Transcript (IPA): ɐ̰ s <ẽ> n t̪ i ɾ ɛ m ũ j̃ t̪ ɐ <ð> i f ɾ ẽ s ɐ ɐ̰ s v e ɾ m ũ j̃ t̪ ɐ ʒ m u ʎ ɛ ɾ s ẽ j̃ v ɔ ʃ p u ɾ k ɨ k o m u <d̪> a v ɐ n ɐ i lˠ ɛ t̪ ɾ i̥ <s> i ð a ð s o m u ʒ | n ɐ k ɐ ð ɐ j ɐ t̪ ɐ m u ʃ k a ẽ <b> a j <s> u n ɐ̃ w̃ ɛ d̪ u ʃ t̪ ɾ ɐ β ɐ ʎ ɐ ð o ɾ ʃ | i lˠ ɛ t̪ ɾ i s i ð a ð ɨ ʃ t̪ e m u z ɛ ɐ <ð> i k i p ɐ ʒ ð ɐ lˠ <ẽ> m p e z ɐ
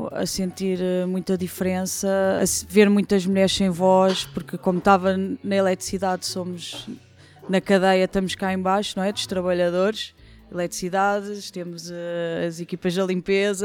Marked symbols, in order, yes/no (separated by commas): yes, yes, no, yes, yes, no, no, no